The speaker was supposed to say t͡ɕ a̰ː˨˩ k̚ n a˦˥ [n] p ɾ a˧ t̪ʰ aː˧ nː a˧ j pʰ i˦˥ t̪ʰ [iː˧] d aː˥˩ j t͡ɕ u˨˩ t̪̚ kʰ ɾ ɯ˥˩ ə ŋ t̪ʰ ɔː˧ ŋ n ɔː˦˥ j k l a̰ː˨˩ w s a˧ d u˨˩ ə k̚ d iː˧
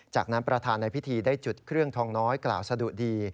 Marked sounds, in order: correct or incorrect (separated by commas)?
correct, correct